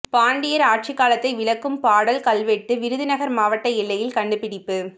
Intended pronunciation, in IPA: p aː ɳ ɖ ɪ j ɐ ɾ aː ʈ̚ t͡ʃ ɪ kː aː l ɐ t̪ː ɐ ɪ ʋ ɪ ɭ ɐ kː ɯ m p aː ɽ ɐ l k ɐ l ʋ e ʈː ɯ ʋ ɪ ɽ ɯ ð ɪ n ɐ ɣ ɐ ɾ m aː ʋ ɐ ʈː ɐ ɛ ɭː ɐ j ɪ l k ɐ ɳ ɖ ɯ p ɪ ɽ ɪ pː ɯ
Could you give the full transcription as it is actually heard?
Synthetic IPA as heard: p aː ɳ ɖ ɪ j ɐ ɾ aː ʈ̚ t͡ʃ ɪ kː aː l ɐ t̪ː ɐ ɪ ʋ ɪ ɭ ɐ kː ɯ m p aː ɽ ɐ l k ɐ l ʋ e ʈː ɯ ʋ ɪ ɾ ɯ ð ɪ n ɐ ɣ ɐ ɾ m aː ʋ ɐ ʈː ɐ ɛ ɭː ɐ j ɪ l k ɐ ɳ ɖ ɯ p ɪ ɽ ɪ pː ɯ